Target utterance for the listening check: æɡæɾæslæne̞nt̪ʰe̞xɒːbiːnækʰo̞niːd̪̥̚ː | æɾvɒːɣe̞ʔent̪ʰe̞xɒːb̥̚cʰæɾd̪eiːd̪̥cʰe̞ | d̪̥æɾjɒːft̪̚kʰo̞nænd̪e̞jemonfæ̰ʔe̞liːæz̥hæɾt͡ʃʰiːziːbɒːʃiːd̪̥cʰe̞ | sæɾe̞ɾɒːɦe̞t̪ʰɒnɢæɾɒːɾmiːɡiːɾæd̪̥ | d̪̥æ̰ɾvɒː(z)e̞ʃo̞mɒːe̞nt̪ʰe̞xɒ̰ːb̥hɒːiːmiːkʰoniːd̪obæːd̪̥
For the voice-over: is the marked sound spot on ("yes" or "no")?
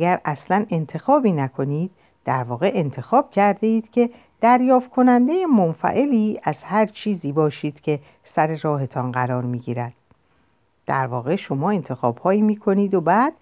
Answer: no